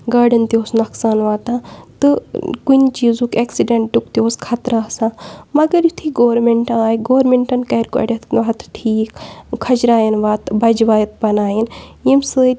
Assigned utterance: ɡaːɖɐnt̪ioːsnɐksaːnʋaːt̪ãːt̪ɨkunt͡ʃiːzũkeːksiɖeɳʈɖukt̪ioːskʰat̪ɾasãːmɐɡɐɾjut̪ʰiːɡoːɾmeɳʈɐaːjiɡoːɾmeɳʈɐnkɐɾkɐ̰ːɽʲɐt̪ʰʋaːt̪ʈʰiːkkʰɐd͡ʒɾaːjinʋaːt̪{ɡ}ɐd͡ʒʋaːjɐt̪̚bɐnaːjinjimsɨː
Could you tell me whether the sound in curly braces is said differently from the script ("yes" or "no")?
yes